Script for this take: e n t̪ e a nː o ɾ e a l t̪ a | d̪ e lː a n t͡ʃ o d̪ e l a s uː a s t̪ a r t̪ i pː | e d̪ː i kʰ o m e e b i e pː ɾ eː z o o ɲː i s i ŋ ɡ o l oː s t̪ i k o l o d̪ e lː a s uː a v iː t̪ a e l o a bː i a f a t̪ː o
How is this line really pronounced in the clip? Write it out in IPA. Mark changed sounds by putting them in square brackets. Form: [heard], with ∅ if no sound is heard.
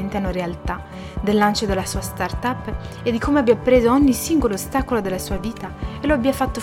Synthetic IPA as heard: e n t̪ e a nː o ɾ e a l t̪ a | d̪ e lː a n t͡ʃ o d̪ e l a s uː a s t̪ a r t̪ [a] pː | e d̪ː i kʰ o m e [a] b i [a] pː ɾ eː z o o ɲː i s i ŋ ɡ o l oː s t̪ [a] k o l o d̪ e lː a s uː a v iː t̪ a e l o a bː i a f a t̪ː o